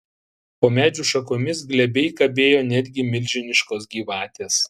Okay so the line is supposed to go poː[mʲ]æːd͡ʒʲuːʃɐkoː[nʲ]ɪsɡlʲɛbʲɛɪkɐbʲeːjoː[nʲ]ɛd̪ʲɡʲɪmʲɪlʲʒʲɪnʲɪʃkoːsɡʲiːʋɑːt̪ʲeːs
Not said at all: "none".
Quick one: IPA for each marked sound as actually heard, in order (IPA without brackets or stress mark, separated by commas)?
mʲ, mʲ, nʲ